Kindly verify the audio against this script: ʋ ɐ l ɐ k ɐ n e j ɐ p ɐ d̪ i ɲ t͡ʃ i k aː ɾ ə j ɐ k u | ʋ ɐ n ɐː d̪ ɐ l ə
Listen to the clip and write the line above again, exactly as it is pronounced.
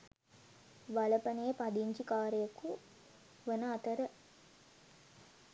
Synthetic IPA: ʋ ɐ l ɐ p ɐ n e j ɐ p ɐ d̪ i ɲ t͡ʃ i k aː ɾ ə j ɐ k u | ʋ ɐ n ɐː t̪ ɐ ɾ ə